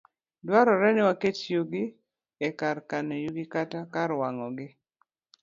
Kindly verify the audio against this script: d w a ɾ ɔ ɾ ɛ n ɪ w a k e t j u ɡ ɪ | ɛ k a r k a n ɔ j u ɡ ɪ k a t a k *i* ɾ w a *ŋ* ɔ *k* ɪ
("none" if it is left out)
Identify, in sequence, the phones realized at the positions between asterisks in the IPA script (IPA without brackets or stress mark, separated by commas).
a, ŋ, ɡ